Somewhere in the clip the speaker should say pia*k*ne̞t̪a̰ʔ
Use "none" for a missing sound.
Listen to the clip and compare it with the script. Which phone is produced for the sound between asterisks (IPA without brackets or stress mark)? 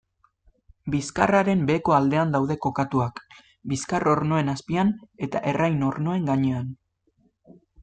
none